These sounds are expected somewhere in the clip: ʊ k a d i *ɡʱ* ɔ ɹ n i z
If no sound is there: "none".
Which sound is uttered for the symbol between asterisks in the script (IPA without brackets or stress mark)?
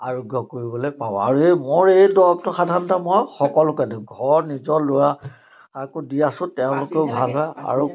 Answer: ɡʱ